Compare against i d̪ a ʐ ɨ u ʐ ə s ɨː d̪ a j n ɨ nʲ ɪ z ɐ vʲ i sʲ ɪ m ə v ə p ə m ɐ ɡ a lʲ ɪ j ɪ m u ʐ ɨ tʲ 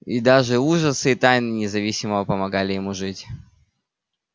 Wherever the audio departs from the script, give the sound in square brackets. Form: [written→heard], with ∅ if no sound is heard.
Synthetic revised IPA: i d̪ a ʐ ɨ u ʐ ə s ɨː [d̪→t̪] a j n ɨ nʲ ɪ z ɐ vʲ i sʲ ɪ m ə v ə p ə m ɐ ɡ a lʲ ɪ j ɪ m u ʐ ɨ tʲ

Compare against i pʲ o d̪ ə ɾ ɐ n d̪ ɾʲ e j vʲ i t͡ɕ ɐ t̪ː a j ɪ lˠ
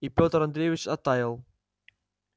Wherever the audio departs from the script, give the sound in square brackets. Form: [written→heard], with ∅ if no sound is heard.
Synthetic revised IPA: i pʲ o [d̪→t̪] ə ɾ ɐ n d̪ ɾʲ e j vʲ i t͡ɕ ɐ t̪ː a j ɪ lˠ

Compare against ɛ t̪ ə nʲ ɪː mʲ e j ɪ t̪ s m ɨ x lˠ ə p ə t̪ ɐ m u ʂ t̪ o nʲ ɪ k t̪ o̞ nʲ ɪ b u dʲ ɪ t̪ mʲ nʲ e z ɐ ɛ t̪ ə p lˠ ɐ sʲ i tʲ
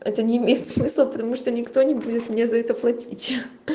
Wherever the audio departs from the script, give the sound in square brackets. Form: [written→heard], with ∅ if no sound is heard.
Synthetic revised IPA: ɛ t̪ ə nʲ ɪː mʲ e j ɪ t̪ s m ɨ [x→s] lˠ ə p ə t̪ ɐ m u ʂ t̪ o nʲ ɪ k t̪ o̞ nʲ ɪ b u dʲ ɪ t̪ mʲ nʲ e z ɐ ɛ t̪ ə p lˠ ɐ [sʲ→tʲ] i tʲ

